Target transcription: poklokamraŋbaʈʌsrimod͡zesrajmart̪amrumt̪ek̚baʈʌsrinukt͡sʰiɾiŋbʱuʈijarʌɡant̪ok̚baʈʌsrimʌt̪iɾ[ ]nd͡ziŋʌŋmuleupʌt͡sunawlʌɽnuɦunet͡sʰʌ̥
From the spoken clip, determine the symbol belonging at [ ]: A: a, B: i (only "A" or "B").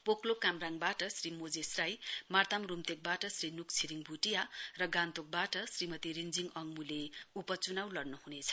B